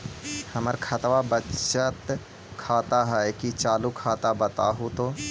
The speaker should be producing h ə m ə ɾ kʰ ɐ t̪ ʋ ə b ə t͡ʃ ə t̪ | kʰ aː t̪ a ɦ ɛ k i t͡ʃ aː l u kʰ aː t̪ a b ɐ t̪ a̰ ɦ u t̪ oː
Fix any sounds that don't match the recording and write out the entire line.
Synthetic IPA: h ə m ə ɾ kʰ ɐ t̪ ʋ a b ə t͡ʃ ə t̪ | kʰ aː t̪ a ɦ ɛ k i t͡ʃ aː l u kʰ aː t̪ a b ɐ t̪ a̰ ɦ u t̪ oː